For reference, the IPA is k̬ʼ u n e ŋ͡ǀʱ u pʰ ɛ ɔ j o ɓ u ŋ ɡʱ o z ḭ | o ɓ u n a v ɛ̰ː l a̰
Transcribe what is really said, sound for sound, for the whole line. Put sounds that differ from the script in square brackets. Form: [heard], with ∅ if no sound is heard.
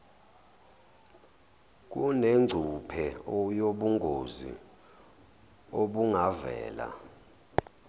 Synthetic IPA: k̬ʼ u n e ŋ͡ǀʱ u pʰ ɛ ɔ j o ɓ u ŋ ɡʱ o z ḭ | o ɓ u [ŋ] a v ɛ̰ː l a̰